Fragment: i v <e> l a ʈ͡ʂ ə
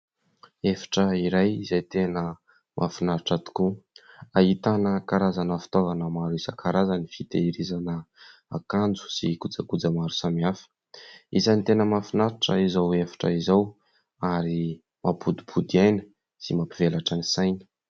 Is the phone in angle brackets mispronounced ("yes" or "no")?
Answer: no